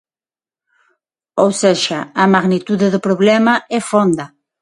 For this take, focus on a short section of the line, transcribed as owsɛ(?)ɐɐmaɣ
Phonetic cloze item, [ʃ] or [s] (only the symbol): ʃ